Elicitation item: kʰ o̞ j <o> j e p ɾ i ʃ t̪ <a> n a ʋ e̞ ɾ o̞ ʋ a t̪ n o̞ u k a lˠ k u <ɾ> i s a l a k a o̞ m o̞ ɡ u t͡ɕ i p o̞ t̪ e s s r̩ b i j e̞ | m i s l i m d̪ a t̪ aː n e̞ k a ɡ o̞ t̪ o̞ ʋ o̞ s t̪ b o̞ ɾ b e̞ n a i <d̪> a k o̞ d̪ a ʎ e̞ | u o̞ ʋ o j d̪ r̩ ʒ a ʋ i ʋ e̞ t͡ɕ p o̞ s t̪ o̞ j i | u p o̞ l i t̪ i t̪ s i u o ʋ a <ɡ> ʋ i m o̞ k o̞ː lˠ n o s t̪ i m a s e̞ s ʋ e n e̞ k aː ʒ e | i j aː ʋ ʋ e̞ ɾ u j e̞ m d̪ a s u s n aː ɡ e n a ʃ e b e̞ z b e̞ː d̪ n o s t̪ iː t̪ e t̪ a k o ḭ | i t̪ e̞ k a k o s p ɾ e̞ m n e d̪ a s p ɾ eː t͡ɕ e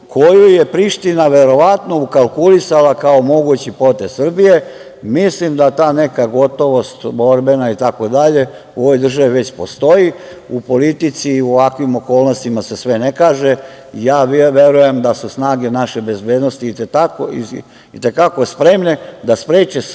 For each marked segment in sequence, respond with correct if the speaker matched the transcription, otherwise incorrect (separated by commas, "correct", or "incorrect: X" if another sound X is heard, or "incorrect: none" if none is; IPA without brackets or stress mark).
incorrect: u, incorrect: i, incorrect: l, incorrect: t̪, incorrect: k